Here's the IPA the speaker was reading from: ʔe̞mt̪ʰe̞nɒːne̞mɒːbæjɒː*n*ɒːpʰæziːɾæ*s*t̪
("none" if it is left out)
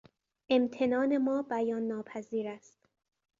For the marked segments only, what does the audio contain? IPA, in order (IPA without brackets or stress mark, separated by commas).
nː, s